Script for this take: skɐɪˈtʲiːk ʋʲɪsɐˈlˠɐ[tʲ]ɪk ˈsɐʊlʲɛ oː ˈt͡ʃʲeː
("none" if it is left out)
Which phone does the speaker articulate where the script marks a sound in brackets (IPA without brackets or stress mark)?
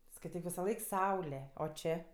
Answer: none